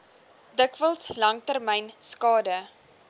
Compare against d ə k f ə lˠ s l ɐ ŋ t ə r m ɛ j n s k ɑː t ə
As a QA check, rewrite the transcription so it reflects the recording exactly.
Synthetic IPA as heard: d ə k v ə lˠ s l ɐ ŋ t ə r m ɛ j n s k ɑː d ə